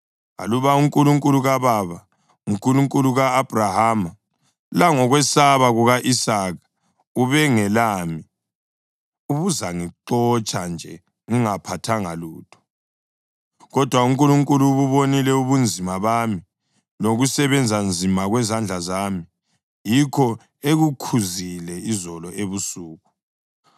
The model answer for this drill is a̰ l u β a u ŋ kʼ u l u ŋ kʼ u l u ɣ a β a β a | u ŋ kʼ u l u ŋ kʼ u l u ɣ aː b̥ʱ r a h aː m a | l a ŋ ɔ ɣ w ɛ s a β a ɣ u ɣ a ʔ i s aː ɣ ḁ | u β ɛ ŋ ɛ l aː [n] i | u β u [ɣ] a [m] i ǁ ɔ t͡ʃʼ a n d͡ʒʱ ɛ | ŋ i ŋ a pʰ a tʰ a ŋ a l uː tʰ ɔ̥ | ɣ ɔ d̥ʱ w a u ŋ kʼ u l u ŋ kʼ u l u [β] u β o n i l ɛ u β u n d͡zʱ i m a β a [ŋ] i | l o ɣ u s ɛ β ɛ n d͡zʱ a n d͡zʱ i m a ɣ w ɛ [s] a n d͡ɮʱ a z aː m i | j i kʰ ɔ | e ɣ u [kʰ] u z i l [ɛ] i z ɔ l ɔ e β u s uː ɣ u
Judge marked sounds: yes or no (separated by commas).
no, no, no, yes, no, no, yes, yes